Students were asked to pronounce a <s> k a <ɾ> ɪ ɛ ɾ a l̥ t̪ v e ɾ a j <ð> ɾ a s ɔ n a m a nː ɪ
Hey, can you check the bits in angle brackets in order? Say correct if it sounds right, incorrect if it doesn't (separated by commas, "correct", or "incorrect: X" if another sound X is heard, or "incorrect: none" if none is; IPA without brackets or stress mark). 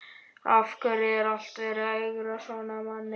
incorrect: f, correct, incorrect: ɣ